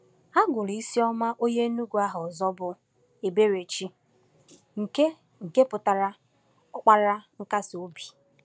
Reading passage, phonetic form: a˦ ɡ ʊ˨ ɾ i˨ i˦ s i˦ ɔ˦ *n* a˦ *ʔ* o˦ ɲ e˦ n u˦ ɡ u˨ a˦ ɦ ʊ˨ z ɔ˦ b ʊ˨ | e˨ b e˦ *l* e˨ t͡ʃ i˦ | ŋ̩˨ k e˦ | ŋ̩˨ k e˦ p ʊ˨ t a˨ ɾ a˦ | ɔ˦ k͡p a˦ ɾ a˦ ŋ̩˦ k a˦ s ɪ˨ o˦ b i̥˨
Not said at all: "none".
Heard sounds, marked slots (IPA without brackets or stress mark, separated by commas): m, ʔ, ɾ